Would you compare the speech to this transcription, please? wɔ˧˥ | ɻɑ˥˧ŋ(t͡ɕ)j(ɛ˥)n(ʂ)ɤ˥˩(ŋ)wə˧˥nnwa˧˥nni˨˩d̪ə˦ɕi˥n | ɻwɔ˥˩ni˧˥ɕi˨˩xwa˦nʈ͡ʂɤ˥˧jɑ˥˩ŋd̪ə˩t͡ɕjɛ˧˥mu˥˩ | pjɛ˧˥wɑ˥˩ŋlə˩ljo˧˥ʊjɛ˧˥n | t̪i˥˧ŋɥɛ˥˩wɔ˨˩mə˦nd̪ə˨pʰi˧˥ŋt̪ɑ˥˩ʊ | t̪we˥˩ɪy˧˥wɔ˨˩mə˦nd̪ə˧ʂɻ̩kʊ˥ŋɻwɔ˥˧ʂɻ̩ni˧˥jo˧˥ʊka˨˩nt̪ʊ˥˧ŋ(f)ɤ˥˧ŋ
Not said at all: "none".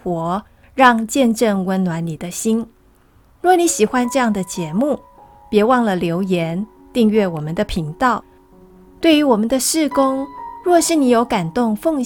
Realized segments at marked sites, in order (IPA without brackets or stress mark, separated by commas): t͡ɕ, ɛ˥˧, ʈ͡ʂ, ŋ, f